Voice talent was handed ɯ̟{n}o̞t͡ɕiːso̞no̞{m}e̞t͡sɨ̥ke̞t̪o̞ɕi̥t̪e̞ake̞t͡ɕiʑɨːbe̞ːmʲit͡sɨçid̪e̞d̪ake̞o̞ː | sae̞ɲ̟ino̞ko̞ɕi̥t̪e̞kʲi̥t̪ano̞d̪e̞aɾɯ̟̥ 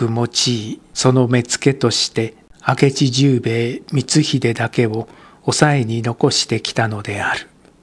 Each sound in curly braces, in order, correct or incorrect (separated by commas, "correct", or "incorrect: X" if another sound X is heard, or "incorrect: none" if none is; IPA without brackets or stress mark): incorrect: m, correct